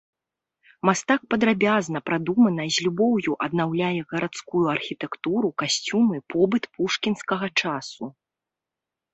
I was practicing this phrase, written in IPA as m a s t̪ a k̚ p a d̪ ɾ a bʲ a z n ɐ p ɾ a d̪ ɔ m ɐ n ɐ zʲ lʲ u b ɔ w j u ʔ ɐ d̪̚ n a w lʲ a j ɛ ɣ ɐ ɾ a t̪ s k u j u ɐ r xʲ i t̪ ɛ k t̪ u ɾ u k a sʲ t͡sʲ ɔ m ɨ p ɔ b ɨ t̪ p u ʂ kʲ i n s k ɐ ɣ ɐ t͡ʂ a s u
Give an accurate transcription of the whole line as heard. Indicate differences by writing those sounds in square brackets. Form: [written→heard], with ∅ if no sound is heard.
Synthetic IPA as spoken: m a s t̪ a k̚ p [a→ɐ] d̪ ɾ a bʲ a z n ɐ p ɾ a d̪ [ɔ→u] m ɐ n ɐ zʲ lʲ u b ɔ w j u ʔ ɐ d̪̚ n a w lʲ a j ɛ ɣ ɐ ɾ a t̪ s k u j u ɐ r xʲ i t̪ ɛ k t̪ u ɾ u k a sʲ t͡sʲ [ɔ→u] m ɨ p ɔ b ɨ t̪ p u ʂ kʲ i n s k ɐ ɣ ɐ t͡ʂ a s u